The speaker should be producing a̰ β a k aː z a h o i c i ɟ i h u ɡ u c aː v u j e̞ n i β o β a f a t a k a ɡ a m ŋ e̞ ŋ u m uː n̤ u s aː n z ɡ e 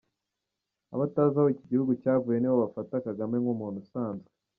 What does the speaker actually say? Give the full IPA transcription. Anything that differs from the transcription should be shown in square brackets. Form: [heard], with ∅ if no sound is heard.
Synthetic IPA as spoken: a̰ β a [t] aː z a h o i c i ɟ i h u ɡ u c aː v u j e̞ n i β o β a f a t a k a ɡ a m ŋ e̞ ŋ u m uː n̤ u s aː n z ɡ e